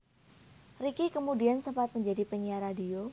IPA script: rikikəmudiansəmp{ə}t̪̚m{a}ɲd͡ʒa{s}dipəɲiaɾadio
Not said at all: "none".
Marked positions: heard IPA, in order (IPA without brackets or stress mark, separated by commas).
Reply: a, ə, none